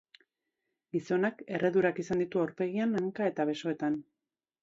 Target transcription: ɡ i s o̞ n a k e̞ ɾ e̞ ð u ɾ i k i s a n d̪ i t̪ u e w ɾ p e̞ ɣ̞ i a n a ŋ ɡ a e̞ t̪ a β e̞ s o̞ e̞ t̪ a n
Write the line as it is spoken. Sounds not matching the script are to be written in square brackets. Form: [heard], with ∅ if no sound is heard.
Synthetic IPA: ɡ i s o̞ n a k e̞ [r] e̞ ð u ɾ [a] k i s a n d̪ i t̪ u [a] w ɾ p e̞ ɣ̞ i a n a ŋ [k] a e̞ t̪ a β e̞ s o̞ e̞ t̪ a n